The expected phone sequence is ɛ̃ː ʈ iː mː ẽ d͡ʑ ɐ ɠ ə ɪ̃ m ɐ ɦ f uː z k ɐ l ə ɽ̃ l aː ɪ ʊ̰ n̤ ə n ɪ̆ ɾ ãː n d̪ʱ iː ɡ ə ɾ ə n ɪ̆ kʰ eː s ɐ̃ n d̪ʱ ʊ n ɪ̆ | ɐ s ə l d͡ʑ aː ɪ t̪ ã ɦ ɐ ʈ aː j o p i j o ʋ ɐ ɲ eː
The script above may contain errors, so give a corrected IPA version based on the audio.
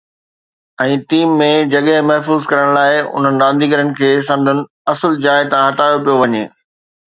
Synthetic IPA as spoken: ɛ̃ː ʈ iː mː ẽ d͡ʑ ɐ ɠ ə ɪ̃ m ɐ ɦ f uː z k ɐ ɾ ə ɽ̃ l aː ɪ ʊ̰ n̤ ə n ɪ̆ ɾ ãː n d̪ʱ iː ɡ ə ɾ ə n ɪ̆ kʰ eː s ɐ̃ n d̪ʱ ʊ n ɪ̆ | ɐ s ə l d͡ʑ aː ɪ t̪ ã ɦ ɐ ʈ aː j o p i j o ʋ ɐ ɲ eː